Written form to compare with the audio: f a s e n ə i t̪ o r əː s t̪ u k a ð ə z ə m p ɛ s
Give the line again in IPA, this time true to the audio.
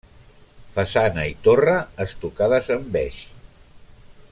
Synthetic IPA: f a s a n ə i t̪ o r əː s t̪ u k a ð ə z ə m b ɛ ʃ